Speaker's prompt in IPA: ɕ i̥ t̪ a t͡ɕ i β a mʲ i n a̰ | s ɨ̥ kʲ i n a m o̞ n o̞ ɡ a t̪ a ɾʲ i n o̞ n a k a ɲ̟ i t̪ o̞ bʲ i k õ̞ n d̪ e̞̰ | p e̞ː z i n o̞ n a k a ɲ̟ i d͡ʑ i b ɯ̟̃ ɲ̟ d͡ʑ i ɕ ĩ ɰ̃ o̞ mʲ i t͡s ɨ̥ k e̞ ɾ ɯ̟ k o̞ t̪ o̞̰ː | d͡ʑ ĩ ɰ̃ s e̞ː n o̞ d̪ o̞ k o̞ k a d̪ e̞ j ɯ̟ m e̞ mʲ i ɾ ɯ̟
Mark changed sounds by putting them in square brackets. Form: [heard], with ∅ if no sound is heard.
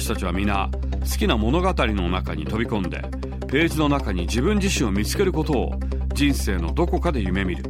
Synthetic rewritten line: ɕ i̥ t̪ a t͡ɕ i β a mʲ i n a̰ | s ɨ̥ kʲ i n a m o̞ n o̞ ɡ a t̪ a ɾʲ i n o̞ n a k a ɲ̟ i t̪ o̞ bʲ i k õ̞ n d̪ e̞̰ | p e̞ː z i n o̞ n a k a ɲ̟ i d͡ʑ i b ɯ̟̃ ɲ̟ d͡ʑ i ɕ ĩ ɰ̃ o̞ mʲ i t͡s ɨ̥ k e̞ ɾ ɯ̟ k o̞ t̪ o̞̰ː | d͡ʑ ĩ ɰ̃ s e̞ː n o̞ d̪ o̞ k o̞ k a d̪ e̞ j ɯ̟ m e̞ mʲ i ɾ ɯ̟